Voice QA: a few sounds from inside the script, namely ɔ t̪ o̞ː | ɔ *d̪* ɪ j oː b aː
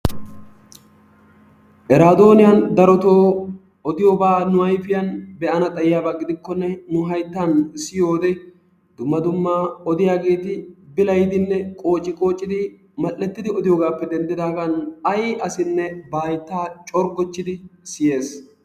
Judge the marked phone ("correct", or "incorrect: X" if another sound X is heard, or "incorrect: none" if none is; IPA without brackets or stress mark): correct